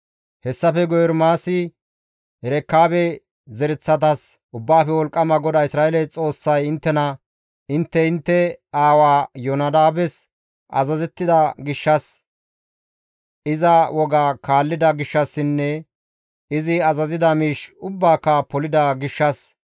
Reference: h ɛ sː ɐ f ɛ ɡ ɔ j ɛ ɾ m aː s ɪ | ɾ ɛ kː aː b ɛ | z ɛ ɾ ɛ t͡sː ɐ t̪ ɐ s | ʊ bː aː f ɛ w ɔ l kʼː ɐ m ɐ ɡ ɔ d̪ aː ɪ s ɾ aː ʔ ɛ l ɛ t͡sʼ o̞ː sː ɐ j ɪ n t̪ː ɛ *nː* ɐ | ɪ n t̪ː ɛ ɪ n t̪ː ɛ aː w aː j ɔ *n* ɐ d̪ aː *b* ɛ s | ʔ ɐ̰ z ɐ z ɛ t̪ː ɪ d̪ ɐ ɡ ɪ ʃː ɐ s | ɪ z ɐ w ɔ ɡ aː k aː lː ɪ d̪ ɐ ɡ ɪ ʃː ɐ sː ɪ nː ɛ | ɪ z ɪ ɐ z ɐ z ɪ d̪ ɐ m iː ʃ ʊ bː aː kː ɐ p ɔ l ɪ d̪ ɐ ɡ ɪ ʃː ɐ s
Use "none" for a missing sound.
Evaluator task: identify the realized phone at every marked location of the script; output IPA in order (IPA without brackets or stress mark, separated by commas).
n, n, b